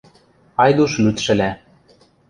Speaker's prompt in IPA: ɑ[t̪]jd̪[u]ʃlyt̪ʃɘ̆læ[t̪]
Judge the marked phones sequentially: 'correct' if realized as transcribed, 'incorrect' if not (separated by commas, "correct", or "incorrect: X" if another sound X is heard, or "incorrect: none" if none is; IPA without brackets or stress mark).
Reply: incorrect: none, correct, incorrect: none